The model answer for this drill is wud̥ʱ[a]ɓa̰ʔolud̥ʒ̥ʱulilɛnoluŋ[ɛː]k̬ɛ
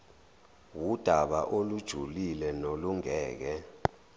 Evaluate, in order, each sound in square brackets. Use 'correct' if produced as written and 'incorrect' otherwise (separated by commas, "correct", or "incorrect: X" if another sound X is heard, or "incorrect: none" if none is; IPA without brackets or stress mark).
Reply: correct, correct